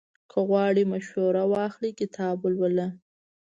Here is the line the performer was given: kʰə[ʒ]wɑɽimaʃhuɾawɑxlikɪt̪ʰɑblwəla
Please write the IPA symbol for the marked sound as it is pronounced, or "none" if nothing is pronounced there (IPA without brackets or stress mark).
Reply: ɣ